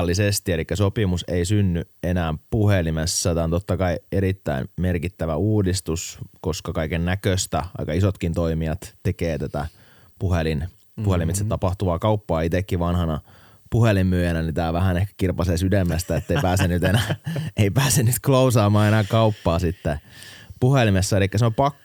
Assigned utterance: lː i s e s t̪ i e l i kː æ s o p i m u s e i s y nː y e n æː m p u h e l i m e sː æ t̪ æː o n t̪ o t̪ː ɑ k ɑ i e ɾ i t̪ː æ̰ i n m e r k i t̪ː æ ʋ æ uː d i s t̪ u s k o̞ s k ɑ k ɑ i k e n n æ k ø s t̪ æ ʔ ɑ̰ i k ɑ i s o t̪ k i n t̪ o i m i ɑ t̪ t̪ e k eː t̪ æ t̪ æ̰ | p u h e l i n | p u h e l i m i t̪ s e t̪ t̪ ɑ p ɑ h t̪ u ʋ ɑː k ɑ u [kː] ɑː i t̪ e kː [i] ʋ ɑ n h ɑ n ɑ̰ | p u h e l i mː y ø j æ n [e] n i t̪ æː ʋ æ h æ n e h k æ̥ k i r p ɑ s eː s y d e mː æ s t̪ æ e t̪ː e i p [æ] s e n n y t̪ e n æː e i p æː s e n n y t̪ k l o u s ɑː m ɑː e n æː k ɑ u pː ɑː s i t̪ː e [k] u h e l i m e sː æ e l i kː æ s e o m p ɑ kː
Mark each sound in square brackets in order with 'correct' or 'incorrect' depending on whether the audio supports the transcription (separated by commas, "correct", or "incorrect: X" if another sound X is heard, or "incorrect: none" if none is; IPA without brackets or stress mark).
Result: incorrect: pː, correct, incorrect: æ, incorrect: æː, incorrect: p